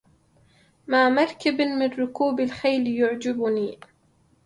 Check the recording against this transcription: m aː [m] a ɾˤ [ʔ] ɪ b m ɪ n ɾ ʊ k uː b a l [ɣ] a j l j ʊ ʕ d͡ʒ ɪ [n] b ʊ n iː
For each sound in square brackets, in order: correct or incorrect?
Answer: correct, incorrect: k, incorrect: x, incorrect: none

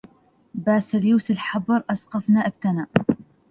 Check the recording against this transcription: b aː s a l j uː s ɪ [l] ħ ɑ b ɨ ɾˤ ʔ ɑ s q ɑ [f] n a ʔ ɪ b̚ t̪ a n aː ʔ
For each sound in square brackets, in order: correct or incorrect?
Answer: correct, correct

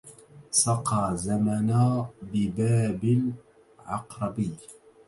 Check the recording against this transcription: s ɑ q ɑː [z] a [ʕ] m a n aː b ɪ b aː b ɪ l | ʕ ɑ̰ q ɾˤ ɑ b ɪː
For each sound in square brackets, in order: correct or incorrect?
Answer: correct, incorrect: none

